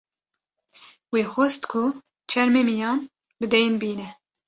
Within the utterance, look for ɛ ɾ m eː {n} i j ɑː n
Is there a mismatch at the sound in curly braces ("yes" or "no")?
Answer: yes